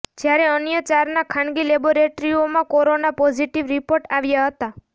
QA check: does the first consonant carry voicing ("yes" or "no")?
yes